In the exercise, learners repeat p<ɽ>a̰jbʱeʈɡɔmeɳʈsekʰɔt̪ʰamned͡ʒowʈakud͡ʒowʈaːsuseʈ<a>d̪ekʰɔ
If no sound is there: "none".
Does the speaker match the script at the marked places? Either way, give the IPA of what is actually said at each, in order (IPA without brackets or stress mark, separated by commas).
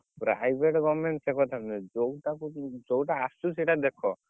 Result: ɾ, a